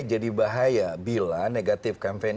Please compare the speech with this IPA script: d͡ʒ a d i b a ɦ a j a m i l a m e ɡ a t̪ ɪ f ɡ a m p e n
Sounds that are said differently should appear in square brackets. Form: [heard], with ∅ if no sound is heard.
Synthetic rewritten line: d͡ʒ a d i b a ɦ a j a [b] i l a [n] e ɡ a t̪ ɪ f [k] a m p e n